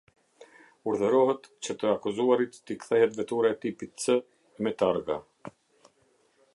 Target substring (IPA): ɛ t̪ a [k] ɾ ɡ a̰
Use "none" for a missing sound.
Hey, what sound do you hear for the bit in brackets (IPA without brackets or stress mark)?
none